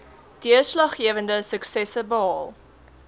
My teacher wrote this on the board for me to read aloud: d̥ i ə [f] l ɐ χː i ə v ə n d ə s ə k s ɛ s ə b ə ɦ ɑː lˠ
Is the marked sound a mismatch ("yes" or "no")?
yes